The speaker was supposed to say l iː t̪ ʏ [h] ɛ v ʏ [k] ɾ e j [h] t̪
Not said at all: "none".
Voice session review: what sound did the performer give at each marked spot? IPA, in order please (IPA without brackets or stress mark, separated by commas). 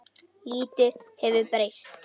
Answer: h, p, s